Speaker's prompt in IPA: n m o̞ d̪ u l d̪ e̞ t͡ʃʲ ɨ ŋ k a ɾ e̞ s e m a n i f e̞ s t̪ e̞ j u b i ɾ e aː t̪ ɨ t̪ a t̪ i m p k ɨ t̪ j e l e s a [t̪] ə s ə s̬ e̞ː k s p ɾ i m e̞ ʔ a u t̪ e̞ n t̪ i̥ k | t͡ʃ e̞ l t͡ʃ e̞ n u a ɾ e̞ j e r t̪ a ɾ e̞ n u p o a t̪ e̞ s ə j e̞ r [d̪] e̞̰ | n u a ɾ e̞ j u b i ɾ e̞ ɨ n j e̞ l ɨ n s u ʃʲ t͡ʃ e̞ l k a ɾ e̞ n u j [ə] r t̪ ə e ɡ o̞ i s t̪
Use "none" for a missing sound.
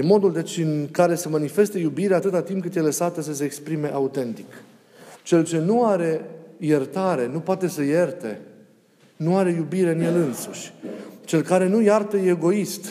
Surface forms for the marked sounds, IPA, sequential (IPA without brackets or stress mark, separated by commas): t̪, t̪, a